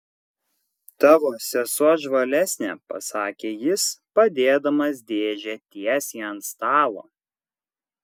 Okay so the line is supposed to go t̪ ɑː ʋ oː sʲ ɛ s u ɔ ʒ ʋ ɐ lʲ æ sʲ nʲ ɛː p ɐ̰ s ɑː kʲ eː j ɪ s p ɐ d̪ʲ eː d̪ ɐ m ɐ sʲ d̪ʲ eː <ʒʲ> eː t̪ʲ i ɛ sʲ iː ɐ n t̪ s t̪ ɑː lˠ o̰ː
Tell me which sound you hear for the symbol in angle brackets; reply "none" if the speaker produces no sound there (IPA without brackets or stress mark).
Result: ʒʲ